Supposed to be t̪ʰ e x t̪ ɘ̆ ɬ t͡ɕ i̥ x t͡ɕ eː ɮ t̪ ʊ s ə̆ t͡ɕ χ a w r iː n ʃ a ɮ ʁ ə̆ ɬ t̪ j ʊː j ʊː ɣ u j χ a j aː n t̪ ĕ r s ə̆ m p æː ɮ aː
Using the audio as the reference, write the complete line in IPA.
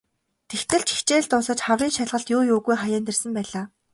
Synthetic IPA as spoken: t̪ʰ e x t̪ ɘ̆ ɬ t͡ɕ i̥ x t͡ɕ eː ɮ t̪ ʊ s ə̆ t͡ɕ χ a w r iː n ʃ a ɮ ʁ ə̆ ɬ t̪ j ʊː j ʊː ɣ u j χ a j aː n t̪ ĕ r s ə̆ m p æː ɮ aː